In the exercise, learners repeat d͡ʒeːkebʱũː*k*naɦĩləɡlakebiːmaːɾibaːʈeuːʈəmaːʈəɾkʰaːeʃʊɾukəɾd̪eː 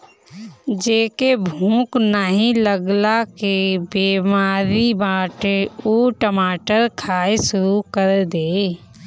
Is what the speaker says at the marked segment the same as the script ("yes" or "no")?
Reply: yes